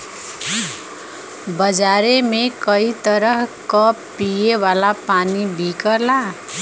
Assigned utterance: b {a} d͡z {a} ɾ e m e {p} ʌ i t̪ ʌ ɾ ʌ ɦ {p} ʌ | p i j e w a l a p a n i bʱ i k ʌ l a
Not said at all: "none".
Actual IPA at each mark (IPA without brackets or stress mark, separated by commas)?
ʌ, a, k, k